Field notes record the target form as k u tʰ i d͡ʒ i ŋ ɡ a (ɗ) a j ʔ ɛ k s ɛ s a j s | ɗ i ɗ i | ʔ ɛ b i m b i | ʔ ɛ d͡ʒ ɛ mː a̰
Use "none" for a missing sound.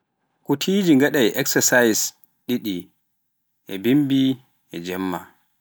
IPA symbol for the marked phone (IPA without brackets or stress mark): ɗ